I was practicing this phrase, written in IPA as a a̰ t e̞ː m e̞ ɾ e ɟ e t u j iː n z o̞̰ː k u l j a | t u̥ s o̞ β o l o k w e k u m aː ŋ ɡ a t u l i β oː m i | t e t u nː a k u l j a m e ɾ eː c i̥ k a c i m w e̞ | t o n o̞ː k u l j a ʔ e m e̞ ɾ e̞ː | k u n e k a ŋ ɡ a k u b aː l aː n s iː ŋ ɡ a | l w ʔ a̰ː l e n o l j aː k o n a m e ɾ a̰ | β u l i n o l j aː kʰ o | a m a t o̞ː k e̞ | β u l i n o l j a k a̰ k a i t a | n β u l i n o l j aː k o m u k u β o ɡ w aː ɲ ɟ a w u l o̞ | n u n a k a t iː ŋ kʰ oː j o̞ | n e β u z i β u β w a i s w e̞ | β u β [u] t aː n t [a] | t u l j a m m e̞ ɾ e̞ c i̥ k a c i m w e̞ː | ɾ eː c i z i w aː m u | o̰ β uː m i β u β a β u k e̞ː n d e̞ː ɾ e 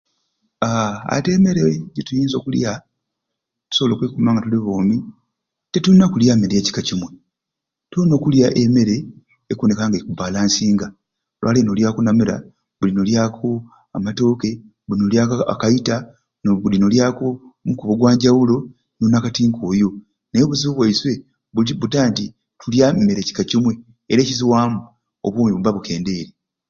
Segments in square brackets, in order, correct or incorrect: correct, incorrect: i

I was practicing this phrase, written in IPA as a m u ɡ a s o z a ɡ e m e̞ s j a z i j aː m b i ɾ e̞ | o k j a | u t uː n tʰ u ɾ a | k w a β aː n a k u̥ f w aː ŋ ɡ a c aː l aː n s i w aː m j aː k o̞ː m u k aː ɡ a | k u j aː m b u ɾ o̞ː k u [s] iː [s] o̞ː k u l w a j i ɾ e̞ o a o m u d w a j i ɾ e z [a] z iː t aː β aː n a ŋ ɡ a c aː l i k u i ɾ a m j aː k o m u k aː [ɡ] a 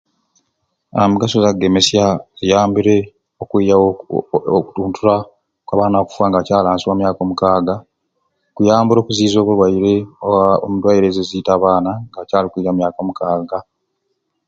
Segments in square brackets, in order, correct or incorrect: incorrect: z, incorrect: z, incorrect: e, correct

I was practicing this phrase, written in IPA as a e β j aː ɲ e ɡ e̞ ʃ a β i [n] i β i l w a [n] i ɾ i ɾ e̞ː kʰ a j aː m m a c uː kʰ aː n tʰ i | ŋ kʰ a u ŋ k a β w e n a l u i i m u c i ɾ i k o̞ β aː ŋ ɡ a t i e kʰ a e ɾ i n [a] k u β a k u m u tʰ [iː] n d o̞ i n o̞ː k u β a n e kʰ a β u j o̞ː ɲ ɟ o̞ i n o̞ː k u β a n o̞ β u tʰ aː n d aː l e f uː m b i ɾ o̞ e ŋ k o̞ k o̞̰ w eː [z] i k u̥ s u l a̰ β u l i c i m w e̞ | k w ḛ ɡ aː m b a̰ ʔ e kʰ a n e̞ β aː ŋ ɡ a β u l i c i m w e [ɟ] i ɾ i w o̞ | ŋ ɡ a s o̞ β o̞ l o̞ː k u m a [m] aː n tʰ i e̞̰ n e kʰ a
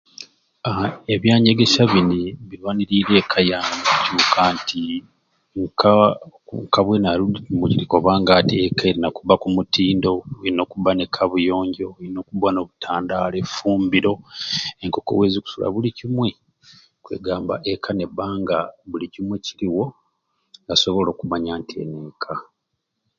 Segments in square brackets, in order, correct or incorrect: correct, correct, correct, correct, correct, incorrect: c, incorrect: ɲ

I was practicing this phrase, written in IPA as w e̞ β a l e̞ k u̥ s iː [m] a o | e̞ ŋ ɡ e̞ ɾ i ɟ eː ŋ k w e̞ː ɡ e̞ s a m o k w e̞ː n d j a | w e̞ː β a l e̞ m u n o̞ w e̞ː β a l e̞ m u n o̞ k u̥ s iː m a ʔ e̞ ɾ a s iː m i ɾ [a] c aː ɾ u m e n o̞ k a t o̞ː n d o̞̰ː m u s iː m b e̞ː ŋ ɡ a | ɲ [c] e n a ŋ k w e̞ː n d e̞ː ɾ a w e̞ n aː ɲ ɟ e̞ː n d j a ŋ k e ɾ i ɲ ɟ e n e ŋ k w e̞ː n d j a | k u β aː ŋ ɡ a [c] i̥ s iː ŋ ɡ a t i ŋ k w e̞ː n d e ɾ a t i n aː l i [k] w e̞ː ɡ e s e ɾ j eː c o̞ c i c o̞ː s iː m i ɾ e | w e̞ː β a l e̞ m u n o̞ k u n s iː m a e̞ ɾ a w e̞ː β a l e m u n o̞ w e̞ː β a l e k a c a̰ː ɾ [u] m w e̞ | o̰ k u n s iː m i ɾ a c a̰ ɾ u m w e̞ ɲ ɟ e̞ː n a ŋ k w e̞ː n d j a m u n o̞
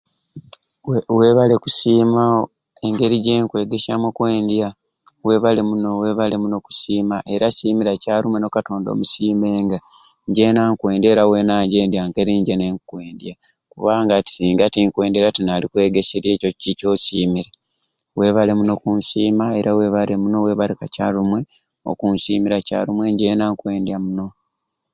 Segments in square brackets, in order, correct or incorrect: correct, correct, incorrect: ɟ, incorrect: t, correct, correct

